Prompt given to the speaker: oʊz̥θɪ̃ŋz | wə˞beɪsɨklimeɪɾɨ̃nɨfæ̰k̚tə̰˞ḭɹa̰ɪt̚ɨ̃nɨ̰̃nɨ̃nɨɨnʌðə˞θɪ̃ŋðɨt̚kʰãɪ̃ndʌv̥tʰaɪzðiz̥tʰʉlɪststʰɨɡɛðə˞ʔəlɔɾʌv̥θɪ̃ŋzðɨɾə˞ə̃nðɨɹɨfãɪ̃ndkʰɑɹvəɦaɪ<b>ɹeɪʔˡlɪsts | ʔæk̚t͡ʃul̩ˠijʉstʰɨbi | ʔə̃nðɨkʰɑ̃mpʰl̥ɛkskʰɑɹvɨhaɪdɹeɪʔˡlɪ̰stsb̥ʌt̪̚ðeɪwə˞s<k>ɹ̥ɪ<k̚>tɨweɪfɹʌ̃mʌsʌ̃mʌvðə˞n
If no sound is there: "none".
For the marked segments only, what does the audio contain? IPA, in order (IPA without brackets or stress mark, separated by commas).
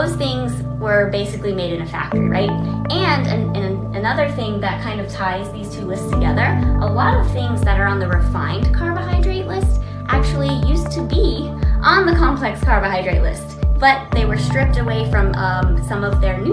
d, t, p̚